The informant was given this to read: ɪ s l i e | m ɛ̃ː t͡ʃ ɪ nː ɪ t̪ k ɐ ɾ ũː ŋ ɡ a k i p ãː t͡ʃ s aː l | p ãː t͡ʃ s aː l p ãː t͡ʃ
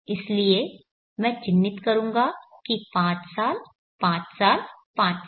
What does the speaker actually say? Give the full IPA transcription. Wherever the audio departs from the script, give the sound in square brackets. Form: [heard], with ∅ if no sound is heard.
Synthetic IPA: ɪ s l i e | m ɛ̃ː t͡ʃ ɪ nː ɪ t̪ k ɐ ɾ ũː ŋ ɡ a k i p ãː t͡ʃ s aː l | p ãː t͡ʃ s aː l p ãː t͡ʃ

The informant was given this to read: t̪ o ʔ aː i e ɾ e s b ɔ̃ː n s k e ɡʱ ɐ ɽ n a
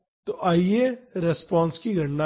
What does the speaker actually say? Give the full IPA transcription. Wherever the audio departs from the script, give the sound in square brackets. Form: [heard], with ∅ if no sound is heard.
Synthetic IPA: t̪ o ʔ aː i e ɾ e s [p] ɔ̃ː n s k [i] ɡʱ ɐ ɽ n a

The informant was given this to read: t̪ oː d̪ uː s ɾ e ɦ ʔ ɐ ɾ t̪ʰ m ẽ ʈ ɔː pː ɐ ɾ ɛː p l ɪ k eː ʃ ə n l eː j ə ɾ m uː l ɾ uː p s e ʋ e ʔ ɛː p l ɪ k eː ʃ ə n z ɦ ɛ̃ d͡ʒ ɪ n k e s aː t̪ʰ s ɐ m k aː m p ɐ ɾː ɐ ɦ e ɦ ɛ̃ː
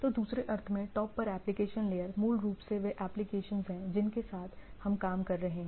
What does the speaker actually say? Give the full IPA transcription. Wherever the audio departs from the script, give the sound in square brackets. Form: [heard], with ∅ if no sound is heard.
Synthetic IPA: t̪ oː d̪ uː s ɾ e [∅] ʔ ɐ ɾ t̪ʰ m ẽ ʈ ɔː pː ɐ ɾ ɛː p l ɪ k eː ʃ ə n l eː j ə ɾ m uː l ɾ uː p s e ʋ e ʔ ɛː p l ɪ k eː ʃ ə n z ɦ ɛ̃ d͡ʒ ɪ n k e s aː t̪ʰ [h] ɐ m k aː m [k] ɐ ɾː ɐ ɦ e ɦ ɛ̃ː

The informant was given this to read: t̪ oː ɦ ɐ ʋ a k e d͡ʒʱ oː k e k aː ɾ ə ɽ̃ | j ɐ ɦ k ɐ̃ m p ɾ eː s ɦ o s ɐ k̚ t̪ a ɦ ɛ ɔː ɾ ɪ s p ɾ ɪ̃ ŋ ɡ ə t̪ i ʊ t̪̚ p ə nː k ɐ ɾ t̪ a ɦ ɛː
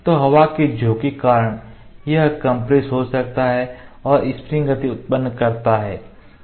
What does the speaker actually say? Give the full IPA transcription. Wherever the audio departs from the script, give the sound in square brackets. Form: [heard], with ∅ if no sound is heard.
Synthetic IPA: t̪ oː ɦ ɐ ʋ a k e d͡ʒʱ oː k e k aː ɾ ə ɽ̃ | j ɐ ɦ k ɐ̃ m p ɾ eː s ɦ o s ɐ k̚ t̪ a ɦ ɛ ɔː ɾ ɪ s p ɾ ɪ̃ ŋ ɡ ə t̪ i ʊ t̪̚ p ə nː k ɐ ɾ t̪ a ɦ ɛː

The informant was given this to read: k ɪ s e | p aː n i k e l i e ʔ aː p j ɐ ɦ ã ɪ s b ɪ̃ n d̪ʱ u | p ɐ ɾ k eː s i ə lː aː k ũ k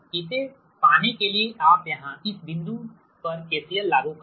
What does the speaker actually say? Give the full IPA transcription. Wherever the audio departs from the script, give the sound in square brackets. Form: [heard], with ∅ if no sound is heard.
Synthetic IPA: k ɪ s e | p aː n [e] k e l i e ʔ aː p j ɐ ɦ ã ɪ s b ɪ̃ n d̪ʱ u | p ɐ ɾ k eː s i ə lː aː [ɡ] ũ k

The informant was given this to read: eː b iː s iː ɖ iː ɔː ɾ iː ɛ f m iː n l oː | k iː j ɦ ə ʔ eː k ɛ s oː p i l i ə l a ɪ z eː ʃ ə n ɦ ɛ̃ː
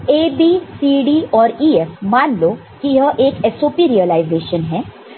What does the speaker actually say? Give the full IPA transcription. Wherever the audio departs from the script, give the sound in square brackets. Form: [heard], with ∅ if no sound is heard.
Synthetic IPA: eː b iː s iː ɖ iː ɔː ɾ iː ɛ f m [aː] n l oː | k [i] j ɦ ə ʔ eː k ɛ s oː p i [ɾ] i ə l a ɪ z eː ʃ ə n ɦ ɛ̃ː

